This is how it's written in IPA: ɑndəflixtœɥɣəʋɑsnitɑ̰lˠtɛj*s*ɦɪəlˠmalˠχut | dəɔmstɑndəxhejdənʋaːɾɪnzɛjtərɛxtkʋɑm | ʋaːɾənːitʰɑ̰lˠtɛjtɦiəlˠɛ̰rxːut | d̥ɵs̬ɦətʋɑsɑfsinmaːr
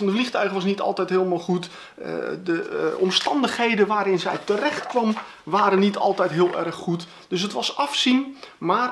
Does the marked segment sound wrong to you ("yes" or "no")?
yes